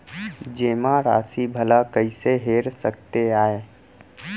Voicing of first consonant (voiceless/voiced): voiced